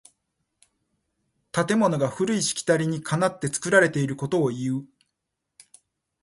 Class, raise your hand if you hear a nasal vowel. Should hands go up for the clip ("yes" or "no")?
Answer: no